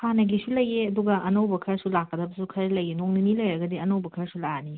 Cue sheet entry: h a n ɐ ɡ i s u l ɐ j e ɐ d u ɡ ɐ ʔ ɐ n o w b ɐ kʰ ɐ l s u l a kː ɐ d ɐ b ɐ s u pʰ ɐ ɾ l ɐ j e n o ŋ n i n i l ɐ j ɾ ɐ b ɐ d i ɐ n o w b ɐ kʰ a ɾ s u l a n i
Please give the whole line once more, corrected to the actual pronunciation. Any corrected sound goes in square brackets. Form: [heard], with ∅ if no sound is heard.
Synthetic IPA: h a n ɐ ɡ i s u l ɐ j e ɐ d u ɡ ɐ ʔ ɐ n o w b ɐ kʰ ɐ [ɾ] s u l a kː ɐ d ɐ b ɐ s u [kʰ] ɐ ɾ l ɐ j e n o ŋ n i n i l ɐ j ɾ ɐ [ɡ] ɐ d i ɐ n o w b ɐ kʰ [ɐ] ɾ s u l a n i